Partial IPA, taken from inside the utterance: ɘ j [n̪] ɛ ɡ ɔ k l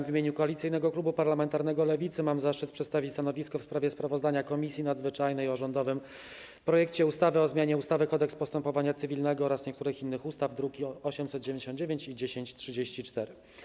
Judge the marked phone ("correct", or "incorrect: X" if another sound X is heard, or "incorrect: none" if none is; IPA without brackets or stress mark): correct